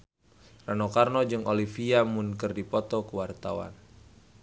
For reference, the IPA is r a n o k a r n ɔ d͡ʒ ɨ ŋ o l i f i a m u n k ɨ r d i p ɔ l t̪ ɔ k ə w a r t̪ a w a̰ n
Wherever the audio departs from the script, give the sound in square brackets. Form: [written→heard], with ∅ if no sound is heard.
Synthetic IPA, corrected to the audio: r a n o k a r n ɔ d͡ʒ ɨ ŋ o l i f i a m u n k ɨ r d i p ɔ [l→∅] t̪ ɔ k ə w a r t̪ a w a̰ n